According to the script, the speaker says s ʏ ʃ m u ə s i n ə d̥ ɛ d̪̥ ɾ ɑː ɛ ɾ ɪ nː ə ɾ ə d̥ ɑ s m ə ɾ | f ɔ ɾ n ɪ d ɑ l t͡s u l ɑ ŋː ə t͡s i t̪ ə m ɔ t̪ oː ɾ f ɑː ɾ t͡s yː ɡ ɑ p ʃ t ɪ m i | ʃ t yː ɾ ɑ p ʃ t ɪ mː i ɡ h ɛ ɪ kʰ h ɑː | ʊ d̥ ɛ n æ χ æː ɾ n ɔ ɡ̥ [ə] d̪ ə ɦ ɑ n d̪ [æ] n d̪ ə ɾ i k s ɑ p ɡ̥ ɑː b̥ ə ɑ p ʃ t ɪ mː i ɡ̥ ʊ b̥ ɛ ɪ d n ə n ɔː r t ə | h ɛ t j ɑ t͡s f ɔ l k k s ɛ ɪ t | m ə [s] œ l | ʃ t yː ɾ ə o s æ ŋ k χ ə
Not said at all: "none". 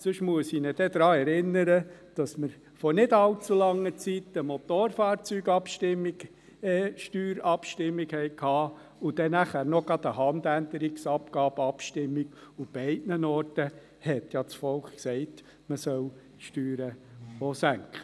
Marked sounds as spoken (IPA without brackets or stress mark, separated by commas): ɑ, æ, s